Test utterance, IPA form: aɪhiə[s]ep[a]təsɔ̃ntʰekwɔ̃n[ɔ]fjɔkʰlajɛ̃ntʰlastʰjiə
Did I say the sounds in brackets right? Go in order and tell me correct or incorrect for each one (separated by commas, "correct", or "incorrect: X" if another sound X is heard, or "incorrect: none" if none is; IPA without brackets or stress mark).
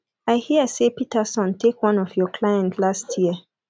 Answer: correct, incorrect: i, correct